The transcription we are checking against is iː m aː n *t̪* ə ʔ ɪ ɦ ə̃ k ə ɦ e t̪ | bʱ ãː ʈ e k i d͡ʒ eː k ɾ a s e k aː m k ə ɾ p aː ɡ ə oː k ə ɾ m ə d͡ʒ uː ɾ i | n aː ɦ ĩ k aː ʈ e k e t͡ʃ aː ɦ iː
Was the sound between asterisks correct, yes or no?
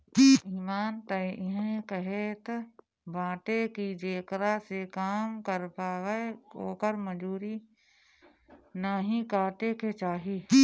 yes